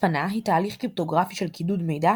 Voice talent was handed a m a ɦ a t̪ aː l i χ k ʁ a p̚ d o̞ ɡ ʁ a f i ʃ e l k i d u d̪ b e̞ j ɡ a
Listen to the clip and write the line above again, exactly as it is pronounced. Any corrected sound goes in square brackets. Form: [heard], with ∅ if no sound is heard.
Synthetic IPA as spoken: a [n] a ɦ [i] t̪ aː l i χ k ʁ [i] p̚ [t] o̞ ɡ ʁ a f i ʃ e l k i d u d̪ [m] e̞ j [d] a